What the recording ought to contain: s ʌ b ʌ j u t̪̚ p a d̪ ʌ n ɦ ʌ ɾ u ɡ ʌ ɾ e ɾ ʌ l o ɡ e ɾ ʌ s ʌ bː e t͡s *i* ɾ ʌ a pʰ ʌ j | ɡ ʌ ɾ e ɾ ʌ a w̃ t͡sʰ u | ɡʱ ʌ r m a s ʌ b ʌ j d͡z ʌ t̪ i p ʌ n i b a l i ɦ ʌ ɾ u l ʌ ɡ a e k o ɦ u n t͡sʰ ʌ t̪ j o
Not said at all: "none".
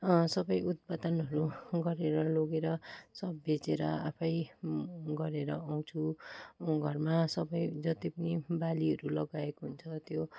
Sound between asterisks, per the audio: e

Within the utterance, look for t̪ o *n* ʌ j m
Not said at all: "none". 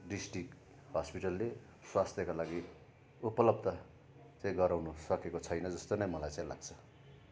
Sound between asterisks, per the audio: n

